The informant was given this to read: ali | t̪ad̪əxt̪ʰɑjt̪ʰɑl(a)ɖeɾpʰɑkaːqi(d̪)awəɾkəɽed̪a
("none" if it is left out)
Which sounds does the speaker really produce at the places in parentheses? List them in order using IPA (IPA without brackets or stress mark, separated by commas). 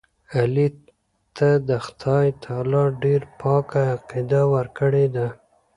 ɑ, d̪